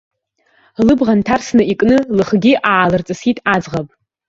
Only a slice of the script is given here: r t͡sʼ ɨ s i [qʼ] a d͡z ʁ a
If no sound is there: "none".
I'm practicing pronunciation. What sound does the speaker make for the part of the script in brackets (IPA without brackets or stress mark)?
tʼ